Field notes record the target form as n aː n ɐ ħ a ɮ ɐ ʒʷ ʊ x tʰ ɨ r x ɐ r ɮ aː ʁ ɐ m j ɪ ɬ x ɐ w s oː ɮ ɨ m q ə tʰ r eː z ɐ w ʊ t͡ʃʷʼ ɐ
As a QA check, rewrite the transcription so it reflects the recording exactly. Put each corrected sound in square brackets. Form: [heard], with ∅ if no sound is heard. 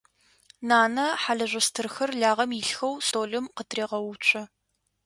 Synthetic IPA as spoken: n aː n ɐ ħ a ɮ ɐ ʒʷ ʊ [s] tʰ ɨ r x ɐ r ɮ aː ʁ ɐ m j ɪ ɬ x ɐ w s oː ɮ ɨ m q ə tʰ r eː [ʁ] ɐ w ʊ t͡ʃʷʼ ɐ